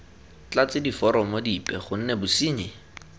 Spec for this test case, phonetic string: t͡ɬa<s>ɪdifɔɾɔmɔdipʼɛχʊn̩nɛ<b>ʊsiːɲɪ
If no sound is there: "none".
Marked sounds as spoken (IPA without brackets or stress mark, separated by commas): t͡s, b